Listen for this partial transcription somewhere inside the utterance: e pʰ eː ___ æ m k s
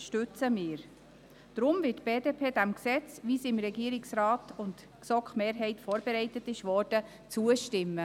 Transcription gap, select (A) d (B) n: A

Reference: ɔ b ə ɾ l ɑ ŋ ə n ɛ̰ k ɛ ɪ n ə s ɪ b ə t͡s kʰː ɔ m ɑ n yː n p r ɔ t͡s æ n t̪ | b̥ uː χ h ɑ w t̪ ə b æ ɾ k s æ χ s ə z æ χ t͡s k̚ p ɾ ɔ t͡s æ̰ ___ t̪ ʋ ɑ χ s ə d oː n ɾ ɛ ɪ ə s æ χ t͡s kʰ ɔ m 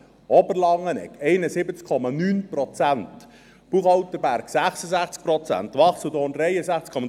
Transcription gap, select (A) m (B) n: B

